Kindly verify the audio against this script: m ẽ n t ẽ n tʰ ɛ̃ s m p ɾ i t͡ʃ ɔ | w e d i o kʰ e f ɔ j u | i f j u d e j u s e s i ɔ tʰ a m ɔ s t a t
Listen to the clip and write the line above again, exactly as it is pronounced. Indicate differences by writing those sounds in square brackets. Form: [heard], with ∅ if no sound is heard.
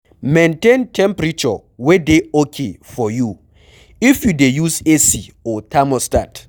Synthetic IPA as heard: m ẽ n t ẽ n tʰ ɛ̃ [∅] m p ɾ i t͡ʃ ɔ | w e d [e] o kʰ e f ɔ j u | i f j u d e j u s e s i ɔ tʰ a m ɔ s t a t